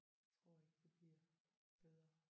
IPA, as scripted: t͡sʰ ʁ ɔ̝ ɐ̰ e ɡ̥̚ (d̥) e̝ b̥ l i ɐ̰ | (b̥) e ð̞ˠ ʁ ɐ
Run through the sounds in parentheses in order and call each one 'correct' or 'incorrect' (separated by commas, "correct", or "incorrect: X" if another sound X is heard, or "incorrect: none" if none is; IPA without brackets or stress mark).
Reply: correct, correct